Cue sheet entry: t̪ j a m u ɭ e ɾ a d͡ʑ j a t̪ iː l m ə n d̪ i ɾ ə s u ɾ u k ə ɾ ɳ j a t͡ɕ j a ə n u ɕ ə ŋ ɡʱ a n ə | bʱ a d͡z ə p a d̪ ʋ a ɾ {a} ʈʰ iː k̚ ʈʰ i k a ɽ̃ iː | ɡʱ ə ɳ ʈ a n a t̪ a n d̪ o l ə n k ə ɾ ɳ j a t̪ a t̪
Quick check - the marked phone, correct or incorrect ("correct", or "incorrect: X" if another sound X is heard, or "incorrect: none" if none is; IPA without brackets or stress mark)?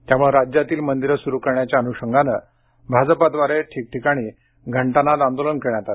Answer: incorrect: e